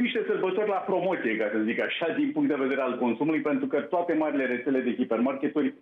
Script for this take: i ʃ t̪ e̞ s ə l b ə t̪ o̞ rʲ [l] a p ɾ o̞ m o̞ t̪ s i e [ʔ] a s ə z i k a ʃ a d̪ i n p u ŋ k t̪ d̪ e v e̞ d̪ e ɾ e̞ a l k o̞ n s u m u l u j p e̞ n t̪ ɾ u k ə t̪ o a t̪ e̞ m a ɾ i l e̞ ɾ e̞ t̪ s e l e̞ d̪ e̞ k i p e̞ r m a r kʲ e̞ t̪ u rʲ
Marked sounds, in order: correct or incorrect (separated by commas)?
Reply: correct, incorrect